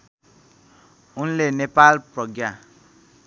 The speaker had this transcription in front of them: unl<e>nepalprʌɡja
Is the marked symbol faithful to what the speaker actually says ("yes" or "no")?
yes